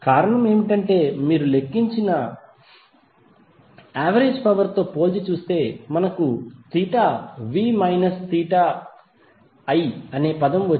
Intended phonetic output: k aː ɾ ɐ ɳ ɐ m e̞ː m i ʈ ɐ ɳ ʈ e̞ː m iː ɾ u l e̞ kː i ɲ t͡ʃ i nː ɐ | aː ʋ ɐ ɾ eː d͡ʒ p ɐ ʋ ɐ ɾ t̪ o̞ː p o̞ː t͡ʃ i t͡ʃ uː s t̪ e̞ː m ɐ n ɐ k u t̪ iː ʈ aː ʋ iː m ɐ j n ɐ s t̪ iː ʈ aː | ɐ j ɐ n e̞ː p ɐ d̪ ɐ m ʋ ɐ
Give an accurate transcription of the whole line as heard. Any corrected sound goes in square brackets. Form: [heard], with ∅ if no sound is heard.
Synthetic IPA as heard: k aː ɾ ɐ ɳ ɐ m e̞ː m i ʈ ɐ ɳ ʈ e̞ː m iː ɾ u l e̞ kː i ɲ t͡ʃ i [n] ɐ | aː ʋ ɐ ɾ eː d͡ʒ p ɐ ʋ ɐ ɾ t̪ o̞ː p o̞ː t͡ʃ i t͡ʃ uː s t̪ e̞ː m ɐ n ɐ k u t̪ iː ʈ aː ʋ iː m ɐ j n ɐ s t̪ iː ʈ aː | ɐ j ɐ n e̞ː p ɐ d̪ ɐ m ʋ ɐ